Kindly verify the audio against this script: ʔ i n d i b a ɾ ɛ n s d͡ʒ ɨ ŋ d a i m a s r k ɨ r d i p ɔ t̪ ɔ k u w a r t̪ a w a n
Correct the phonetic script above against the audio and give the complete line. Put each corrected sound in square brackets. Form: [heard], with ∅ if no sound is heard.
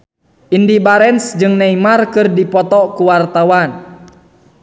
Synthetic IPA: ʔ i n d i b a ɾ ɛ n s d͡ʒ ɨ ŋ [n] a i m a [∅] r k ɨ r d i p ɔ t̪ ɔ k u w a r t̪ a w a n